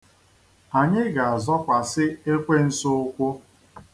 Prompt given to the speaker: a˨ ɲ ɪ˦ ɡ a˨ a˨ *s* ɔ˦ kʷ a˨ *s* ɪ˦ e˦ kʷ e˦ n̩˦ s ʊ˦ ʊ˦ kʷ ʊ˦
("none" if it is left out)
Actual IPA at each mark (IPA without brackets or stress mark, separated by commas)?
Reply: z, s